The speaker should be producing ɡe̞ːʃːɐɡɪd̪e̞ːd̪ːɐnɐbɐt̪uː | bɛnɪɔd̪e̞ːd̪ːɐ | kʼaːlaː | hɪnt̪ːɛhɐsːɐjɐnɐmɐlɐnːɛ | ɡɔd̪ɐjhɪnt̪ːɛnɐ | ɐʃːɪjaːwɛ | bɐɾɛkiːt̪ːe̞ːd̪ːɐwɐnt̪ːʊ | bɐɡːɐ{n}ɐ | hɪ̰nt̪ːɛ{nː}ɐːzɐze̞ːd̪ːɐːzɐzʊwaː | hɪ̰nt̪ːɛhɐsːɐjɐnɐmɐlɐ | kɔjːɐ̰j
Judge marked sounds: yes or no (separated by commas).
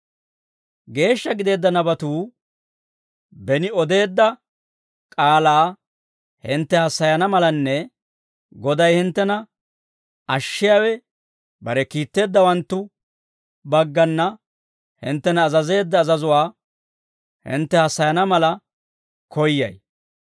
no, no